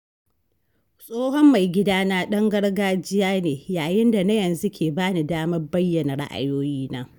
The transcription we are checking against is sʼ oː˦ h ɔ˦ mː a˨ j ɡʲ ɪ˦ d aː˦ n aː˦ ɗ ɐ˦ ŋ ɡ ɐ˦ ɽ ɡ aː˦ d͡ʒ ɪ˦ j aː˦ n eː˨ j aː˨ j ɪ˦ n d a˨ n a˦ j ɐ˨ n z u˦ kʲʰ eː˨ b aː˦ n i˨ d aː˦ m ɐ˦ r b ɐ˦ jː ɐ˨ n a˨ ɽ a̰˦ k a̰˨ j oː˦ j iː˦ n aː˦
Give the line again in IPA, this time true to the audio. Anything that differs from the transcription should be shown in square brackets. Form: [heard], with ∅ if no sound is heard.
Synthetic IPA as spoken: sʼ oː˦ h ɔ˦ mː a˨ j ɡʲ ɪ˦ d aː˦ n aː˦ ɗ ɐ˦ ŋ ɡ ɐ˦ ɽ ɡ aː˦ d͡ʒ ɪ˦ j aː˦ n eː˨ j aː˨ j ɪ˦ n d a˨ n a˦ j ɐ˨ n z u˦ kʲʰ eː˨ b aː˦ n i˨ d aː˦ m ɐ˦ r b ɐ˦ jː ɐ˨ n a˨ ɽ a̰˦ [ʔ] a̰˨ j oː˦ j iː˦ n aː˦